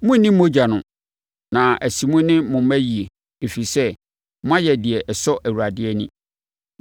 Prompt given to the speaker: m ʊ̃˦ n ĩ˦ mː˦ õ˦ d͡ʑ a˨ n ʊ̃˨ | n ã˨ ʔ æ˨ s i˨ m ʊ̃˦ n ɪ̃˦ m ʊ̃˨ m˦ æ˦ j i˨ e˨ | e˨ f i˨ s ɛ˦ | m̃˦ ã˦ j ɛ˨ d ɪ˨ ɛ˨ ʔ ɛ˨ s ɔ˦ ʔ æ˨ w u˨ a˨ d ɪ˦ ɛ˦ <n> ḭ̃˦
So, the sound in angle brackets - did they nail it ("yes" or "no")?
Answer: yes